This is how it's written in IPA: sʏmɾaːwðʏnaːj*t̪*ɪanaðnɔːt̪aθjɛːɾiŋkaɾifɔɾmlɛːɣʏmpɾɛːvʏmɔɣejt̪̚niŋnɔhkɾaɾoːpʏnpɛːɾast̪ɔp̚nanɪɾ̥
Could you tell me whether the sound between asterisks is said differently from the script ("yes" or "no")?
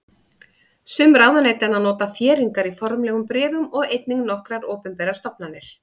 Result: no